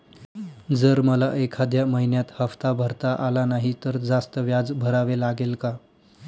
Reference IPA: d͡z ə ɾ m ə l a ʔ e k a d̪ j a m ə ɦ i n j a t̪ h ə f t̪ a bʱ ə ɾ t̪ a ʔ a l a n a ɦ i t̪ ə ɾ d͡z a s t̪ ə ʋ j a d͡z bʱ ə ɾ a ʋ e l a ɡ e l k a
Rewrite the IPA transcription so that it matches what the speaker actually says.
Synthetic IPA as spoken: d͡z ə ɾ m ə l a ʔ e kʰ a d̪ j a m ə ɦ i n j a t̪ h ə f t̪ a bʱ ə ɾ t̪ a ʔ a l a n a ɦ i t̪ ə ɾ d͡z a s t̪ ə ʋ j a d͡z bʱ ə ɾ a ʋ e l a ɡ e l k a